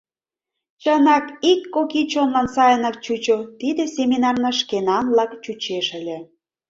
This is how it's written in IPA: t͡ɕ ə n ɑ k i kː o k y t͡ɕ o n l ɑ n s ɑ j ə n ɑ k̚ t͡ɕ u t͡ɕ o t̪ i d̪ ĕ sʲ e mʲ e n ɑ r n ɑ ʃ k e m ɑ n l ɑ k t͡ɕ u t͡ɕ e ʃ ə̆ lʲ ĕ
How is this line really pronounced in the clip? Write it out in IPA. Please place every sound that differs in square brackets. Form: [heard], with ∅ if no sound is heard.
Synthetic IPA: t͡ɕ ə n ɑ k i kː o k [i] t͡ɕ o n l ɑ n s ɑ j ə n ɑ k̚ t͡ɕ u t͡ɕ o t̪ i d̪ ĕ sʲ e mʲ [i] n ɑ r n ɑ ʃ k e [n] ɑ n l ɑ k t͡ɕ u t͡ɕ e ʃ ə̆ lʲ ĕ